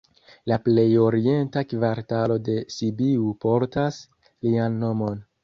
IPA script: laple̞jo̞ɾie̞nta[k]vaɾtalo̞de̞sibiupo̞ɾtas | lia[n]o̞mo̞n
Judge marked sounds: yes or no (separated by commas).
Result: yes, no